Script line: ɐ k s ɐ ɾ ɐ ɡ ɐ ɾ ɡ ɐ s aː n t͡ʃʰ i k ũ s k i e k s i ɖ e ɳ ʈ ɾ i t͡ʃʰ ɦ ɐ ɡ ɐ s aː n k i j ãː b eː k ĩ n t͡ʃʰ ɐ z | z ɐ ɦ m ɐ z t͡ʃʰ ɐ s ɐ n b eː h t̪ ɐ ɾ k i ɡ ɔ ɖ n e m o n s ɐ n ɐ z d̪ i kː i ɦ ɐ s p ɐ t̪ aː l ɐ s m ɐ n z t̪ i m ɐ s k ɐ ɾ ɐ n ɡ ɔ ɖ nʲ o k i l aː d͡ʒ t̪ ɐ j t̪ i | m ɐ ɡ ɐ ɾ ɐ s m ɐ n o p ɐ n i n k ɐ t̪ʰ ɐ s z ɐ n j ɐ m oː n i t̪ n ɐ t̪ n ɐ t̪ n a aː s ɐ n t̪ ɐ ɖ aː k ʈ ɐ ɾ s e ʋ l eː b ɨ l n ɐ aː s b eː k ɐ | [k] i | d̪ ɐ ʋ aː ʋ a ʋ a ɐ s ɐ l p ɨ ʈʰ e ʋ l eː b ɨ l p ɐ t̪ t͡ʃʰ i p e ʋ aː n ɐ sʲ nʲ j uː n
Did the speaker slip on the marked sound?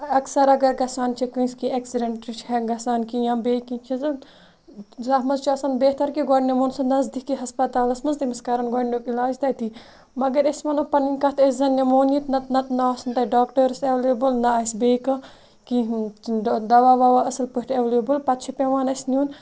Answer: no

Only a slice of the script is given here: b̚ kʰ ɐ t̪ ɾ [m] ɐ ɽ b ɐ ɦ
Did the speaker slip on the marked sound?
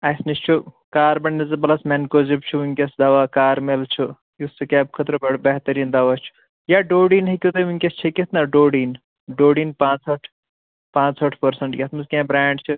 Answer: yes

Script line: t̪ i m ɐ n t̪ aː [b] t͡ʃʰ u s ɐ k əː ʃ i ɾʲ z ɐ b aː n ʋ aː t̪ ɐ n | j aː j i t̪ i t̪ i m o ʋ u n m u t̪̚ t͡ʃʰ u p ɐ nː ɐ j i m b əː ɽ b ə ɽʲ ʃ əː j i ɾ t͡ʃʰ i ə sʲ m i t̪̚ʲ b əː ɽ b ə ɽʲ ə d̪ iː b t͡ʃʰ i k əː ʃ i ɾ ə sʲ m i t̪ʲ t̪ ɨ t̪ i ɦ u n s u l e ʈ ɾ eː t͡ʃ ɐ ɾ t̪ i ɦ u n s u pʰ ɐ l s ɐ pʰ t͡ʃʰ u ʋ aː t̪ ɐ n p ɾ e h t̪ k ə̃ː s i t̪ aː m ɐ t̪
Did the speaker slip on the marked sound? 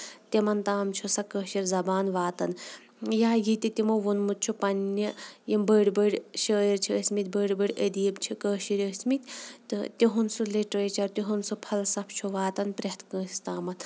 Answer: yes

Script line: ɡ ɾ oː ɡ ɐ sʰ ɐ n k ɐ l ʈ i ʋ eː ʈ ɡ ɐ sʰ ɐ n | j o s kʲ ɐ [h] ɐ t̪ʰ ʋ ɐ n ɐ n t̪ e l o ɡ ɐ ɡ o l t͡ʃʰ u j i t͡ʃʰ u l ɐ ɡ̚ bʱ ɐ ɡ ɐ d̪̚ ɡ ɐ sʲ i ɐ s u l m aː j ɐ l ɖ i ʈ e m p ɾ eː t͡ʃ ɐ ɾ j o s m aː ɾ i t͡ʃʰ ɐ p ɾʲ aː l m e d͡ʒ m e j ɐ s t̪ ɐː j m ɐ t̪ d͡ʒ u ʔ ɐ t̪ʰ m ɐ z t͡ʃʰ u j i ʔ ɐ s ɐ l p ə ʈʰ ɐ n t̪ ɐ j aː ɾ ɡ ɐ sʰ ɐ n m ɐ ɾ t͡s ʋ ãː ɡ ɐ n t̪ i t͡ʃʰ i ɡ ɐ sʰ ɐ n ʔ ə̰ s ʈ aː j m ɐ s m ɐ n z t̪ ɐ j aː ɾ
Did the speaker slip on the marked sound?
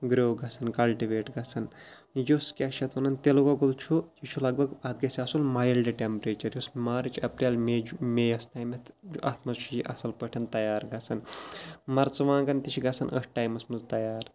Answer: yes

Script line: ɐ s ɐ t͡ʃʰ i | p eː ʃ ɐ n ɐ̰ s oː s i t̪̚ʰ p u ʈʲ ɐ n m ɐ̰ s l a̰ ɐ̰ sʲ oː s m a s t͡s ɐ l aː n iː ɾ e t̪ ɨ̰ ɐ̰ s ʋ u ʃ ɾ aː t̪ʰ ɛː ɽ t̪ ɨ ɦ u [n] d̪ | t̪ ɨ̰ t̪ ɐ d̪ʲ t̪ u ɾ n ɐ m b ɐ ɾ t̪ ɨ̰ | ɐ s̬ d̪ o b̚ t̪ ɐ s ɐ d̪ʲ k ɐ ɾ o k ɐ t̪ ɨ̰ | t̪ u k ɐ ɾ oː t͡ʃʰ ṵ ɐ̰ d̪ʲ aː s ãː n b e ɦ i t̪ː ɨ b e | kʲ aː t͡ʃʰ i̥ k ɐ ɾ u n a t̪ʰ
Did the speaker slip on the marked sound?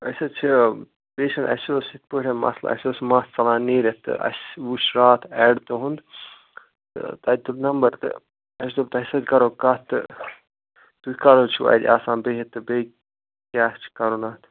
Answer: no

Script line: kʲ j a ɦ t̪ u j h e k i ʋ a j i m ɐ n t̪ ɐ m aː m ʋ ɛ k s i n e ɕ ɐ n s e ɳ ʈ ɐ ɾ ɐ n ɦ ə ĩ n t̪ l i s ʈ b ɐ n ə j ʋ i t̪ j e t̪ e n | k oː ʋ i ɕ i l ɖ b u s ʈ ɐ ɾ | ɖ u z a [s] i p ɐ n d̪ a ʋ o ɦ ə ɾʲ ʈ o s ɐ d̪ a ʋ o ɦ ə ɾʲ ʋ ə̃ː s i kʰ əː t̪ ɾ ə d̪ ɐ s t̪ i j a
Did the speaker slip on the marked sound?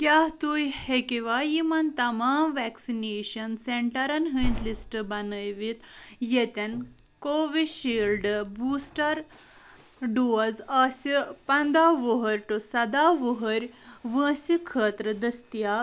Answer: no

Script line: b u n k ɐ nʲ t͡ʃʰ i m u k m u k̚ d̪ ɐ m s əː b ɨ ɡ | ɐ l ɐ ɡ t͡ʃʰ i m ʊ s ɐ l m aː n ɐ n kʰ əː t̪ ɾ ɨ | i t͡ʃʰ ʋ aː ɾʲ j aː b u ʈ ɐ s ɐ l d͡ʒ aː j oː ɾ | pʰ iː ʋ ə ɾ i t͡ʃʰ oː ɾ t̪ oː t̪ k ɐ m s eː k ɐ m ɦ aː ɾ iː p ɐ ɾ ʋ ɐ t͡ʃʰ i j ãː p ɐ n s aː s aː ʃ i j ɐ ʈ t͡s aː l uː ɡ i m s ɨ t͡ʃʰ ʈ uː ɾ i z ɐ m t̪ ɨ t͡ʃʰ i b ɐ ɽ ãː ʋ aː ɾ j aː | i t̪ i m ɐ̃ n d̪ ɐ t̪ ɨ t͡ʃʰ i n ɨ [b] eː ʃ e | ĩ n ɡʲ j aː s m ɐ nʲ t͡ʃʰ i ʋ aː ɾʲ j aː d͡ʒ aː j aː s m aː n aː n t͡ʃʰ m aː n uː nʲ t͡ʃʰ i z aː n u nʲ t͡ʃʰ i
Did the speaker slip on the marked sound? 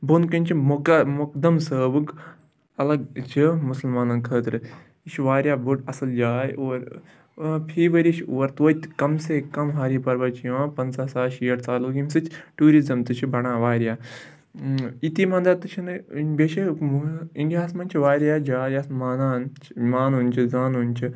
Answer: no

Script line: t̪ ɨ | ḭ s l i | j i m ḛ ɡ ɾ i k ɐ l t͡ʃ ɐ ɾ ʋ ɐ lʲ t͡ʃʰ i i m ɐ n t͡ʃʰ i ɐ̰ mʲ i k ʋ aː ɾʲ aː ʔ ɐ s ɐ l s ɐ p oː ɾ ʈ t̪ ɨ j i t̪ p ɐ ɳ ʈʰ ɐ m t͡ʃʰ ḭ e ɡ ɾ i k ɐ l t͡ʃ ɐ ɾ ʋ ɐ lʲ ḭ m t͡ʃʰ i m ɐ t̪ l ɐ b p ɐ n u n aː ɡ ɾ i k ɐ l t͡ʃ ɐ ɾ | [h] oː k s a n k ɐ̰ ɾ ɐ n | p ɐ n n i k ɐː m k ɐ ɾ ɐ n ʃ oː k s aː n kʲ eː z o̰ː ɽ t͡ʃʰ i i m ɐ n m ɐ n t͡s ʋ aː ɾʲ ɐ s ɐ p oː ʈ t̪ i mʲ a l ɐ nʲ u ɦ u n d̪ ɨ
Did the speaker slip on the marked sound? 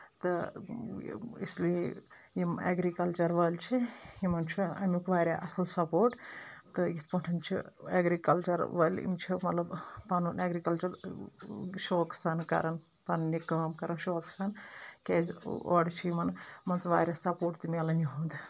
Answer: yes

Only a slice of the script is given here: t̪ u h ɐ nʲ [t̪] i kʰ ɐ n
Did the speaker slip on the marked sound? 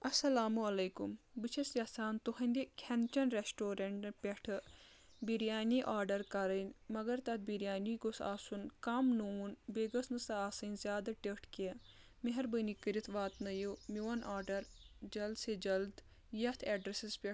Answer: yes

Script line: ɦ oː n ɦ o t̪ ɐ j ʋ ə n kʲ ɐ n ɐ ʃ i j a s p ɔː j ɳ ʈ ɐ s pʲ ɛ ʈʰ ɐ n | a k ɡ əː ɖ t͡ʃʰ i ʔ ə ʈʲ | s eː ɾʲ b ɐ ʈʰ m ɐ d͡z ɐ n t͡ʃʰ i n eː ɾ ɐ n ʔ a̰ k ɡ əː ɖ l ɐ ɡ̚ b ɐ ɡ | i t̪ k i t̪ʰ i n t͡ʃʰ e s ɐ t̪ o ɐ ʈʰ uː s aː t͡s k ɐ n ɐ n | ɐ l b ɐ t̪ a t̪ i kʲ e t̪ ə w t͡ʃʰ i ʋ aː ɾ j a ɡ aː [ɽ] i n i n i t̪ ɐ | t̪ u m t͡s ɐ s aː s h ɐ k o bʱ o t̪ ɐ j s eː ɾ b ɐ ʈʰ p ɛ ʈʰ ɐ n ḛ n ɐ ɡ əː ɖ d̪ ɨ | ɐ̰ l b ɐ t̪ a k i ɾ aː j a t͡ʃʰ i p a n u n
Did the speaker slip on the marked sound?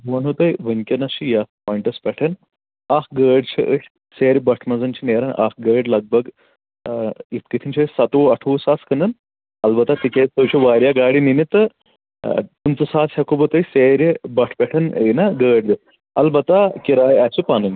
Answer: no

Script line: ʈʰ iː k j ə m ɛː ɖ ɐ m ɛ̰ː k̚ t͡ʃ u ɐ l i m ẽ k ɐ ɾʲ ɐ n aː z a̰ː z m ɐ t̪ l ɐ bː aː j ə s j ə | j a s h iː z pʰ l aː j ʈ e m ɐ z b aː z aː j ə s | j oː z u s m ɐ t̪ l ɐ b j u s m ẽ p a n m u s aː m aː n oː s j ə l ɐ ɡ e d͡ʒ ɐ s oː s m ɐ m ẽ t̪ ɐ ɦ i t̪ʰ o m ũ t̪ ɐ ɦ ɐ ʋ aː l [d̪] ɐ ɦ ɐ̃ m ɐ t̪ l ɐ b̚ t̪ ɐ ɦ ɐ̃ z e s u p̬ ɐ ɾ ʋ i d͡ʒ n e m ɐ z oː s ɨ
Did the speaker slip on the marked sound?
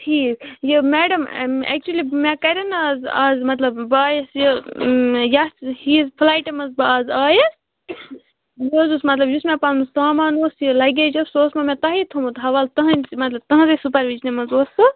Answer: yes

